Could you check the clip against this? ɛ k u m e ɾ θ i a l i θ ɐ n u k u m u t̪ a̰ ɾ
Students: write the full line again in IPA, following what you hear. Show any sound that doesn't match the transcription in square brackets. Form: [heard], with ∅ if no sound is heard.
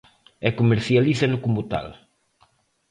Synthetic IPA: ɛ k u m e ɾ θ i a l i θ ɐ n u k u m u t̪ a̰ [l]